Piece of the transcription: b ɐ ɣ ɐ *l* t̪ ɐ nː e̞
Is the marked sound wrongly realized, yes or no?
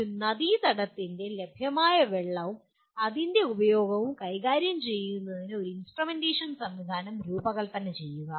yes